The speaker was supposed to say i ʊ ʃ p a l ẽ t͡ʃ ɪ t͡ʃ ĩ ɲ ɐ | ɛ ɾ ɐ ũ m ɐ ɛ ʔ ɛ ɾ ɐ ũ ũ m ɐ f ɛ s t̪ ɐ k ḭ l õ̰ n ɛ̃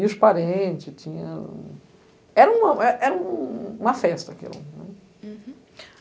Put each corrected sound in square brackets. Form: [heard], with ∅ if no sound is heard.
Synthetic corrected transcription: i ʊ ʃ p a [ɾ] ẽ t͡ʃ ɪ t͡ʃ ĩ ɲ ɐ | ɛ ɾ ɐ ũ m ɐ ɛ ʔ ɛ ɾ ɐ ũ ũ m ɐ f ɛ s t̪ ɐ k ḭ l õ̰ n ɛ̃